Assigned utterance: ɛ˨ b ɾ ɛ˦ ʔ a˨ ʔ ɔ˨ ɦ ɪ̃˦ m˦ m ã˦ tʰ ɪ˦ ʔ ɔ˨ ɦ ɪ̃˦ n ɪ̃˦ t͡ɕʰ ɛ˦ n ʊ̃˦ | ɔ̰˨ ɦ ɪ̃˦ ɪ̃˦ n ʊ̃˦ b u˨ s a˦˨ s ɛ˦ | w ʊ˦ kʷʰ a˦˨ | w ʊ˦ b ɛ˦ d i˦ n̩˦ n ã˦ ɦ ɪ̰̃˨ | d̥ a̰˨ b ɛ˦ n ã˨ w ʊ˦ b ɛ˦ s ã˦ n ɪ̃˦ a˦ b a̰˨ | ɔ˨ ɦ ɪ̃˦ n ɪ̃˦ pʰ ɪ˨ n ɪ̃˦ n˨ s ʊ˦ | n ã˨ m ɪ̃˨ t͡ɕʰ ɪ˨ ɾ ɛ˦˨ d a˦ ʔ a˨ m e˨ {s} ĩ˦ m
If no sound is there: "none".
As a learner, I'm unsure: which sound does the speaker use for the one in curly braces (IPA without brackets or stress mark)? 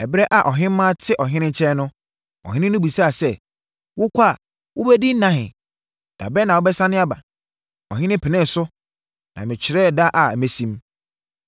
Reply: s